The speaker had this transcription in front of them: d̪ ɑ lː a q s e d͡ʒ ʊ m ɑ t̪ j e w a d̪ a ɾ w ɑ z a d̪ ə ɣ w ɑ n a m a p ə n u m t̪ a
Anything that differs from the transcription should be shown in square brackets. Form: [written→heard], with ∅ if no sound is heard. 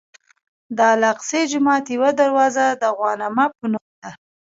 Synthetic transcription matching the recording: d̪ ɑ [lː→l] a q s e d͡ʒ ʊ m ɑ t̪ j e w a d̪ a ɾ w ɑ z a d̪ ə ɣ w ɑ n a m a p ə n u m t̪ a